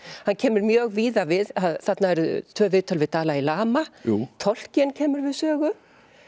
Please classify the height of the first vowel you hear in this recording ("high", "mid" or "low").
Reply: low